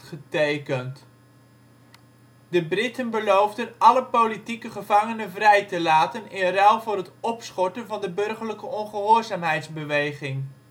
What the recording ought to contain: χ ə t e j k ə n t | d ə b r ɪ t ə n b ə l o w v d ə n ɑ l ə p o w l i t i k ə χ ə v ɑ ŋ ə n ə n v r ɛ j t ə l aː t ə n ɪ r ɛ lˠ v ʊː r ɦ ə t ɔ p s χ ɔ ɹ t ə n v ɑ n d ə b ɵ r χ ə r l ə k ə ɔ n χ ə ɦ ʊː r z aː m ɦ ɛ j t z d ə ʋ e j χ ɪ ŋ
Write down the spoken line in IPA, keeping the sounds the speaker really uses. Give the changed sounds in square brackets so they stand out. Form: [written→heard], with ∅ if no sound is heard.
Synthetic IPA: χ ə t e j k ə n t | d ə b r ɪ t ə n b ə l o w v d ə n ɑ l ə p o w l i t i k ə χ ə v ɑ ŋ ə n ə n v r ɛ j t ə l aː t ə n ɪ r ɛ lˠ v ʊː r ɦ ə t ɔ p s χ ɔ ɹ t ə n v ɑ n d ə b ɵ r χ ə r l ə k ə ɔ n χ ə ɦ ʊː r z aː m ɦ ɛ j t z [d→b] ə ʋ e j χ ɪ ŋ